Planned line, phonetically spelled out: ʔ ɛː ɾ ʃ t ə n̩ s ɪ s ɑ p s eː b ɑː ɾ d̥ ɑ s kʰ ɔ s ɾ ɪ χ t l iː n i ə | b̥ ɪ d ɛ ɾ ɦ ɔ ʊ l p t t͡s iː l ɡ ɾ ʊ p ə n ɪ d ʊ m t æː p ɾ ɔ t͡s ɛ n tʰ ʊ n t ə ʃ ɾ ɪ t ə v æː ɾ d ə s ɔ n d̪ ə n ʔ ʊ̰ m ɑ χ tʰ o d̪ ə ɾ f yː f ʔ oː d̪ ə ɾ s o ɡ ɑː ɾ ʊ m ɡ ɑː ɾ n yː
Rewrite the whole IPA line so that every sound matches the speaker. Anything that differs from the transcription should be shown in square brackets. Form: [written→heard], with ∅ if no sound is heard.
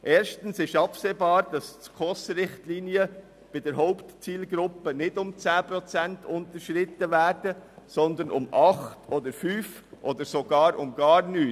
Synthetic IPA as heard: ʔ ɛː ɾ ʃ t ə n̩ s ɪ [s→ʃ] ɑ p s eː b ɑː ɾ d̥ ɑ s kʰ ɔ s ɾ ɪ χ t l iː n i ə | b̥ ɪ d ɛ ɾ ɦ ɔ ʊ [l→∅] p t t͡s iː l ɡ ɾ ʊ p ə n ɪ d ʊ m [t→t͡s] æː p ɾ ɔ t͡s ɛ n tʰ ʊ n t ə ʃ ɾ ɪ t ə v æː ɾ d ə s ɔ n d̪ ə n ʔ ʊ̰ m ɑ χ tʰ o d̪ ə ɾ f yː f ʔ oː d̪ ə ɾ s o ɡ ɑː ɾ ʊ m ɡ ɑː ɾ n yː